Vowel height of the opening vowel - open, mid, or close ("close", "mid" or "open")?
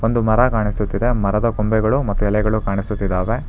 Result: mid